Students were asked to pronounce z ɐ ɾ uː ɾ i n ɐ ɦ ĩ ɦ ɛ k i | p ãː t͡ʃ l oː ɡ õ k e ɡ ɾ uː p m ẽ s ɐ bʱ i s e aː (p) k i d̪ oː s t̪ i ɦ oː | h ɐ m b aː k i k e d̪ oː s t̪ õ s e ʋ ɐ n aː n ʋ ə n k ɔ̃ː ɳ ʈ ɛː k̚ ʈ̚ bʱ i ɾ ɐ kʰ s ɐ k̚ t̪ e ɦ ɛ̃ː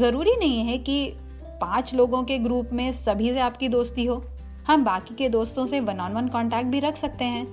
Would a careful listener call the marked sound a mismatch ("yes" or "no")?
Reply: no